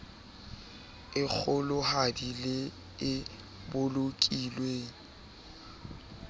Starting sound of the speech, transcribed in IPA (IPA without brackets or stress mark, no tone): ɪ